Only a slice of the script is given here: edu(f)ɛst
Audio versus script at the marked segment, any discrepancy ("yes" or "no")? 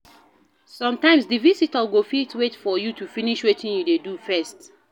no